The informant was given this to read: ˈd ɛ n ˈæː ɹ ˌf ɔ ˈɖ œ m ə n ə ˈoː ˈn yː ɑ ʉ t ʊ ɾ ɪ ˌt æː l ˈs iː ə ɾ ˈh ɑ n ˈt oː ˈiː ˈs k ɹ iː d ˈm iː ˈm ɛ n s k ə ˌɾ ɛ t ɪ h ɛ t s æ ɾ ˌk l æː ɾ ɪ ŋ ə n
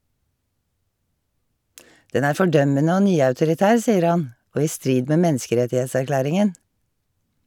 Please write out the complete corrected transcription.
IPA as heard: ˈd ɛ n ˈæː ɹ ˌf ɔ ˈɖ œ m ə n ə ˈoː ˈn yː ɑ ʉ t ʊ ɾ ɪ ˌt æː ɹ ˈs iː ə ɾ ˈh ɑ n ˈʔ oː ˈiː ˈs t ɹ iː d ˈm eː ˈm ɛ n s k ə ˌɾ ɛ t ɪ h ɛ t s æ ɾ ˌk l æː ɾ ɪ ŋ ə n